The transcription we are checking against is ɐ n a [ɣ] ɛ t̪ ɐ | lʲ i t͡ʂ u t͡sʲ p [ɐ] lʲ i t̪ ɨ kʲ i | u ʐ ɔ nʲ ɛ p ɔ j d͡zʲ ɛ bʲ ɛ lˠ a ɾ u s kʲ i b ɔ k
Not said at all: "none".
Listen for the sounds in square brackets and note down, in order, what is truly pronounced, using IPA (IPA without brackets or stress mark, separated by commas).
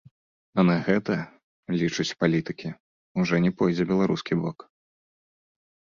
ɣ, a